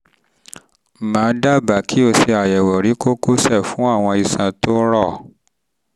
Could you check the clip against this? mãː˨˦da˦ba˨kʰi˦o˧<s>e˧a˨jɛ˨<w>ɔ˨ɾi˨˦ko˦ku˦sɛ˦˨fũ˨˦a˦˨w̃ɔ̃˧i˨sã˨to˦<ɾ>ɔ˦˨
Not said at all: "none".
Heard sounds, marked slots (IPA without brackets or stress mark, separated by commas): s, w, ɾ